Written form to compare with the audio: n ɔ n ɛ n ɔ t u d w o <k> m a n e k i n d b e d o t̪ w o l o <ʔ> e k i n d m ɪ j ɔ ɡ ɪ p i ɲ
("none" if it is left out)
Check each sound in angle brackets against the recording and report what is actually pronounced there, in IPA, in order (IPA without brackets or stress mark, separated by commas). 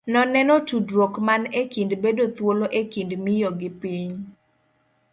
k, ʔ